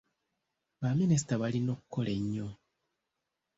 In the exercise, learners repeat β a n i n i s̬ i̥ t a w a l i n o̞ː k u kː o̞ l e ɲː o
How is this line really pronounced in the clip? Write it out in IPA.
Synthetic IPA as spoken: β a m i n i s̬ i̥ t a β a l i n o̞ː k u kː o̞ l e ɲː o